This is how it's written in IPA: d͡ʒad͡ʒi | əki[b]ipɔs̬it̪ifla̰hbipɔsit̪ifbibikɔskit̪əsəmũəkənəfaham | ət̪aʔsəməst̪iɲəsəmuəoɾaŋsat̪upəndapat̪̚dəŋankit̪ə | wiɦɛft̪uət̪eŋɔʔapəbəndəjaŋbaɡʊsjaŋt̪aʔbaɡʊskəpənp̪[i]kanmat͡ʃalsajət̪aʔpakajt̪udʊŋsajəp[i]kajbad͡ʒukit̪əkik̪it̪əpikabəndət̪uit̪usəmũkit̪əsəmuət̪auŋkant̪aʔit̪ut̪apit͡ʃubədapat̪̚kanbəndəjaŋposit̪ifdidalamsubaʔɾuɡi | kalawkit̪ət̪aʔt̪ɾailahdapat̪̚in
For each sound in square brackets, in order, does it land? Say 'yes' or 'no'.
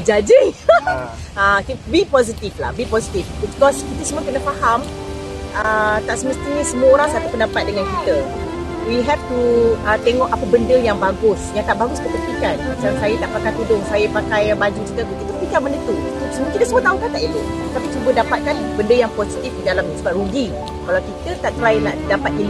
yes, yes, no

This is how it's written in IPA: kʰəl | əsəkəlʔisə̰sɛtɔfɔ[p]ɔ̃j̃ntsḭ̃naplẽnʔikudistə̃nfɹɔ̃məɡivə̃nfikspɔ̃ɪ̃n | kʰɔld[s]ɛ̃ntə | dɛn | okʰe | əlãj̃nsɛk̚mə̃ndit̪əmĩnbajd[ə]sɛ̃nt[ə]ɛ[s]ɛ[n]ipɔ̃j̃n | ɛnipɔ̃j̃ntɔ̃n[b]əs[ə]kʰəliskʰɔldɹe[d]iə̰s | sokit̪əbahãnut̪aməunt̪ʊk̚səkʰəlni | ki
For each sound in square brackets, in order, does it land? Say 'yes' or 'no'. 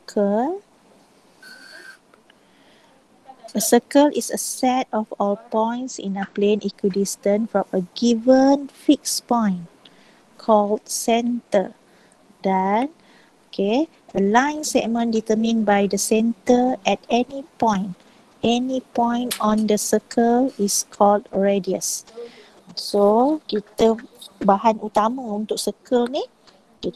yes, yes, yes, yes, no, yes, no, yes, yes

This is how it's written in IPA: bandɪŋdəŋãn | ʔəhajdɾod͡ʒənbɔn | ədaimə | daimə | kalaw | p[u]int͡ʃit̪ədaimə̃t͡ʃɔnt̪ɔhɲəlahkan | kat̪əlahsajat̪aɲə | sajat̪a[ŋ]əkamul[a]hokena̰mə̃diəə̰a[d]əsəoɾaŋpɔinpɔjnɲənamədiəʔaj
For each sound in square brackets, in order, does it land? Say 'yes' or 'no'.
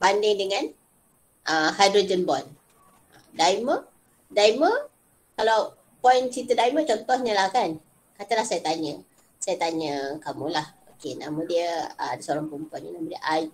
no, no, yes, yes

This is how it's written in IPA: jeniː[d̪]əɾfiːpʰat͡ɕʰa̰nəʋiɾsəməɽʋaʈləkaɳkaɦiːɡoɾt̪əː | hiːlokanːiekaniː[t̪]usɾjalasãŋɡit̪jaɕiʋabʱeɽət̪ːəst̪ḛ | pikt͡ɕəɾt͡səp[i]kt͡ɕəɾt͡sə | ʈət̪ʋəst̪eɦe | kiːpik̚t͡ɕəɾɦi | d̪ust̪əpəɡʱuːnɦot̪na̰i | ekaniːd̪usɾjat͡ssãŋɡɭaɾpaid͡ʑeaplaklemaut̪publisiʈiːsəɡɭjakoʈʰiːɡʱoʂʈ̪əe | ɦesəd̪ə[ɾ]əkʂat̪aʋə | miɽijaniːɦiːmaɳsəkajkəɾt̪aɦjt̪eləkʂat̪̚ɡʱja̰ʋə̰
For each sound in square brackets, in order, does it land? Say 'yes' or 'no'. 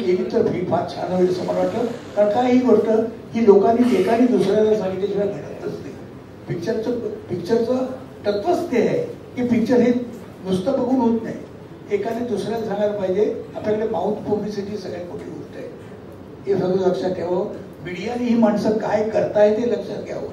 no, no, yes, no

